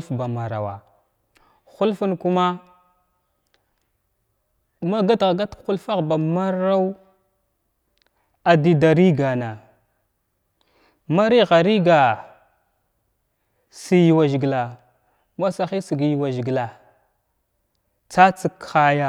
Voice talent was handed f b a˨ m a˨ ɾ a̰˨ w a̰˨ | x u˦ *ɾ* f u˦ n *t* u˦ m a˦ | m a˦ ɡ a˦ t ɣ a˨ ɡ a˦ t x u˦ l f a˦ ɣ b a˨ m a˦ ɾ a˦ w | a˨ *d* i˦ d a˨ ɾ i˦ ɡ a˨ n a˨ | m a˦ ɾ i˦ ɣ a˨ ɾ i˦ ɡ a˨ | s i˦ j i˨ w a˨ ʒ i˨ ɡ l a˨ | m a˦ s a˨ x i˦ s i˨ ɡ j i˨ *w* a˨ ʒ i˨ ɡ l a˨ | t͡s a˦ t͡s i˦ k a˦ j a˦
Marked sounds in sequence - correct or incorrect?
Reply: incorrect, incorrect, correct, correct

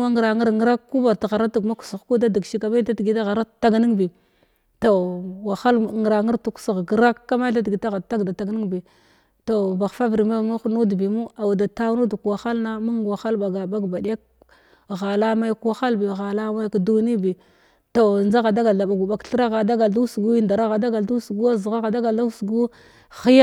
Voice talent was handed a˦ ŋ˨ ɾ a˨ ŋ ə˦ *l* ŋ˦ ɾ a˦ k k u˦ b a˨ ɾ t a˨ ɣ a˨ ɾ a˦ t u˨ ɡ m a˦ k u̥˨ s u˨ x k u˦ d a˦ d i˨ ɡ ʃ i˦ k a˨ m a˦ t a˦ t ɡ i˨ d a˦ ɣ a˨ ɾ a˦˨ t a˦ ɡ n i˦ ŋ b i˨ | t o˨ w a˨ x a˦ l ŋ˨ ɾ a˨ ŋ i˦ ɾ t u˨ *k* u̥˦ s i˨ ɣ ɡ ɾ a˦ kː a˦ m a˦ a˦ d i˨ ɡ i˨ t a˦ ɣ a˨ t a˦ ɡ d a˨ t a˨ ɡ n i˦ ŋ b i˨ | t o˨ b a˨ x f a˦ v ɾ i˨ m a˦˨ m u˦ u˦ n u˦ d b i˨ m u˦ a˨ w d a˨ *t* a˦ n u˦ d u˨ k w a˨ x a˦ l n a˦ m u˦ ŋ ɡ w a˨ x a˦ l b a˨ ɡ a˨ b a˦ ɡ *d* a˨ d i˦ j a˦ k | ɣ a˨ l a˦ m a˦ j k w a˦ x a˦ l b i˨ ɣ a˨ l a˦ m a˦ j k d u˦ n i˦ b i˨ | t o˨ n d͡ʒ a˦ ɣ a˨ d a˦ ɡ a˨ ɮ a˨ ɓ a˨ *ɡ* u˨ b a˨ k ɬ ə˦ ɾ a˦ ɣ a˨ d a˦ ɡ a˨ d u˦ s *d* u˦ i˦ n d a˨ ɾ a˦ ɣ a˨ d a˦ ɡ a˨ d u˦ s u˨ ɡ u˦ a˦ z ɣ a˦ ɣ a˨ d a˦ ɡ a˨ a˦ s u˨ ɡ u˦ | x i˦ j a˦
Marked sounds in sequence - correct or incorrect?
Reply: incorrect, correct, correct, incorrect, correct, incorrect

